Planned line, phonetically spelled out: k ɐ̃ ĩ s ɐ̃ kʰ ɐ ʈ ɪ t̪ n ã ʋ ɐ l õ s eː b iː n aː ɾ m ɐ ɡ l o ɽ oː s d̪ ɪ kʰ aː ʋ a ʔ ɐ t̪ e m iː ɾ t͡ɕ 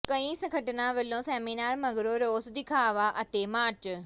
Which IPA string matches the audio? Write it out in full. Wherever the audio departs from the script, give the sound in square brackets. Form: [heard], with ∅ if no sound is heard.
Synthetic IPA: k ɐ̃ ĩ s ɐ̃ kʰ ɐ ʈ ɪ [∅] n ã ʋ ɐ l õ s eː [m] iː n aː ɾ m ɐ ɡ [ɾ] o [ɾ] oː s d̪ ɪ kʰ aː ʋ a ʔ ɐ t̪ e m [aː] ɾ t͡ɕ